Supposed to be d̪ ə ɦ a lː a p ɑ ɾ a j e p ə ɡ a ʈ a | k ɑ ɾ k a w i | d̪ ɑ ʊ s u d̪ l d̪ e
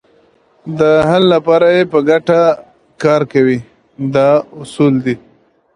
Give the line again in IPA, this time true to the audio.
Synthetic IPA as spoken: d̪ ə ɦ a lː a p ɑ ɾ a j e p ə ɡ a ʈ a | k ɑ ɾ k a w i | d̪ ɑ ʊ s u l d̪ i